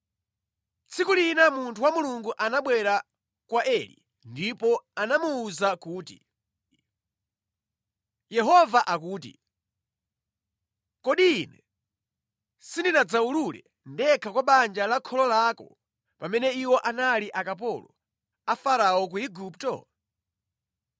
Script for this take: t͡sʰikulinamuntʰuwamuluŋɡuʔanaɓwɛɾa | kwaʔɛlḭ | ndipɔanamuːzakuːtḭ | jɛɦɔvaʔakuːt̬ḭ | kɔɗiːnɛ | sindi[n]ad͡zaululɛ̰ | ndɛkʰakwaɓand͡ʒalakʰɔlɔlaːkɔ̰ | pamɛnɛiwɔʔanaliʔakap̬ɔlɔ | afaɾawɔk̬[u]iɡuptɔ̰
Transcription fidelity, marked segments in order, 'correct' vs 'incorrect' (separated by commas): correct, correct